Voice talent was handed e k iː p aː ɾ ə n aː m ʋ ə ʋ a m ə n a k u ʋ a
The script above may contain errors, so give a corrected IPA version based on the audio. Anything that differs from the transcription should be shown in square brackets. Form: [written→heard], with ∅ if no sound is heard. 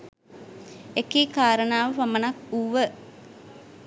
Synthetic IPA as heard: e k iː [p→k] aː ɾ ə n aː [m→∅] ʋ ə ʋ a m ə n a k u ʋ [a→ə]